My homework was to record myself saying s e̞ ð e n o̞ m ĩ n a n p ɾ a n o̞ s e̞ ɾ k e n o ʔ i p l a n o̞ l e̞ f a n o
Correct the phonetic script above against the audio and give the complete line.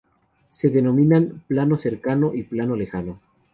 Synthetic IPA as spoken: s e̞ ð e n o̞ m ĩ n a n p l a n o̞ s e̞ ɾ k a n o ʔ i p l a n o̞ l e̞ x a n o